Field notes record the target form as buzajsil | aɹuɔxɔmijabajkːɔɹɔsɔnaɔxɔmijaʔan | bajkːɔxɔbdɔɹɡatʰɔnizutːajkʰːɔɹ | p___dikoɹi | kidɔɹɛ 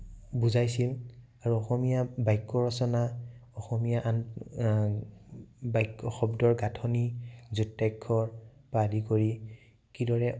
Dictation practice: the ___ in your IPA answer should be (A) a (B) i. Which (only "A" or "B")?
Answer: A